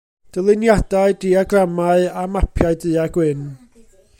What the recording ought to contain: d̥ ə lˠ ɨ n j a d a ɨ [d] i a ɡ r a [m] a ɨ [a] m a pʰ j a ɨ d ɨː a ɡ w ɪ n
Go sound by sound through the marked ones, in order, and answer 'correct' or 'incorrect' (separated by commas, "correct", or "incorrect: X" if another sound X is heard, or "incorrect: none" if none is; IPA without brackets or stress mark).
correct, correct, correct